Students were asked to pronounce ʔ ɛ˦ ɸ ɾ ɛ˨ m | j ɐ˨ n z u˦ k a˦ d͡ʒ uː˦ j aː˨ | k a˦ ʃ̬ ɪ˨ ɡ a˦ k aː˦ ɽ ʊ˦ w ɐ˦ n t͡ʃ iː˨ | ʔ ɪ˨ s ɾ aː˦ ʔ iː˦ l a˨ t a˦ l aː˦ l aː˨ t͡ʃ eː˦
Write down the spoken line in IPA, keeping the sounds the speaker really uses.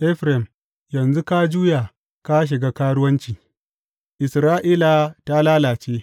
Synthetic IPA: ʔ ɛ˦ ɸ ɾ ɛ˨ m | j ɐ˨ n z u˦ k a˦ d͡ʒ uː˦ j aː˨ | k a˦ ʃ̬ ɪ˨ ɡ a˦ k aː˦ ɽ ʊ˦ w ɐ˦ n t͡ʃ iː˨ | ʔ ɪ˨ s ɾ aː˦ ʔ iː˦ l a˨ t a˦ l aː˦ l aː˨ t͡ʃ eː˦